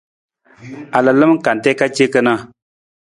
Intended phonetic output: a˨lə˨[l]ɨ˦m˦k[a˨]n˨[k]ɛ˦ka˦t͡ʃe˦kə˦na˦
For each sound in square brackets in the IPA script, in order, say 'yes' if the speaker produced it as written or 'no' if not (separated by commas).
yes, yes, no